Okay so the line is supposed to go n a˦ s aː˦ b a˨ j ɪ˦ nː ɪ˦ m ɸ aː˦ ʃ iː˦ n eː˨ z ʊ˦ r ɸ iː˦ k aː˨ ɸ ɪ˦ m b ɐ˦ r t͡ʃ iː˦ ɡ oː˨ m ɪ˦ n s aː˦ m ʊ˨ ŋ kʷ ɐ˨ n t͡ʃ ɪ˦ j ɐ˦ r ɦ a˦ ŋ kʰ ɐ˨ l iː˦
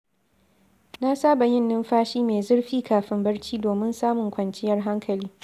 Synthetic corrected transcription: n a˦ s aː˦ b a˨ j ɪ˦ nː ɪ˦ m ɸ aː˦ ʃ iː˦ m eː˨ z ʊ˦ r ɸ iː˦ k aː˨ ɸ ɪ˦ m b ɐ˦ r t͡ʃ iː˦ d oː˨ m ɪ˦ n s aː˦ m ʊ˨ ŋ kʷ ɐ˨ n t͡ʃ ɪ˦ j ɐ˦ r ɦ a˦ ŋ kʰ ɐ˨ l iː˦